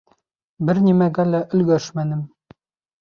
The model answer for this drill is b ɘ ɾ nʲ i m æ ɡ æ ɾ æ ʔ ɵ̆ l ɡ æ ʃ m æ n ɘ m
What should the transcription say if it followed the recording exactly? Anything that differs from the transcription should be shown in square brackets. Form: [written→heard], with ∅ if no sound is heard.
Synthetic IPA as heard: b ɘ ɾ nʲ i m æ ɡ æ [ɾ→l] æ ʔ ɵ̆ l ɡ æ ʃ m æ n ɘ m